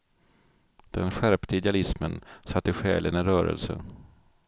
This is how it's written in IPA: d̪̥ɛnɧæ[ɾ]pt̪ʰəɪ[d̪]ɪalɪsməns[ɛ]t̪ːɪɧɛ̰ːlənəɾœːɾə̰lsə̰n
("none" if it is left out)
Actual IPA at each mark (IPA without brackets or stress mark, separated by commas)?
ɾ, d̪, a